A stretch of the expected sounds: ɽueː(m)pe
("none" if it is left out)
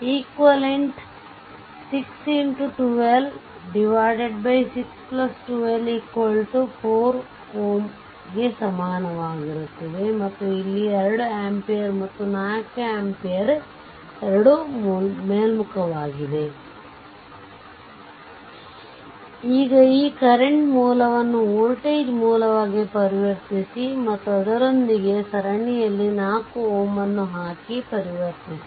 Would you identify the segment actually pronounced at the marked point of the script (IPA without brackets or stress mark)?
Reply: m